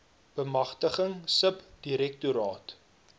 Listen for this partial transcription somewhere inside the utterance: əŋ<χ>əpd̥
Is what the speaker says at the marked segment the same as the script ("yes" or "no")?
no